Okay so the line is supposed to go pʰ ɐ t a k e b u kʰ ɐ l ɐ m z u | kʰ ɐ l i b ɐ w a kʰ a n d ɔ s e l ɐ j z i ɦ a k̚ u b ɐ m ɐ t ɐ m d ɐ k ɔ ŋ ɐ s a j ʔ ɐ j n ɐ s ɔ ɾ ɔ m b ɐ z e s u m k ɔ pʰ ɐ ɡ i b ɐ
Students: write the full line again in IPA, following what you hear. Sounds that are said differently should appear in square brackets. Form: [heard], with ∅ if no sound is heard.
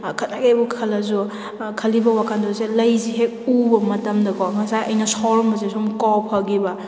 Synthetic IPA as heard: [kʰ] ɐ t a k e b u kʰ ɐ l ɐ [∅] z u | kʰ ɐ l i b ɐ w a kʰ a n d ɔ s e l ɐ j z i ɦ [e] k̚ u b ɐ m ɐ t ɐ m d ɐ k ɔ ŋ ɐ s a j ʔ ɐ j n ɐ s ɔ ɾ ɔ m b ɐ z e s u m k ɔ pʰ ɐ ɡ i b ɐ